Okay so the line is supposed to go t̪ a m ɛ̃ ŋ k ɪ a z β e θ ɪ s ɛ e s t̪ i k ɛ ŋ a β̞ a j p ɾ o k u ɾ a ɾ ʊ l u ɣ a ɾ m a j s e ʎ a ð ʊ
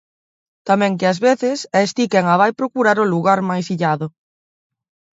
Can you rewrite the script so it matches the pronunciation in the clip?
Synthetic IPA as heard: t̪ a m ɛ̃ ŋ k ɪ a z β e θ ɪ s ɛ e s t̪ i k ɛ ŋ a β̞ a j p ɾ o k u ɾ a ɾ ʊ l u ɣ a ɾ m a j s i ʎ a ð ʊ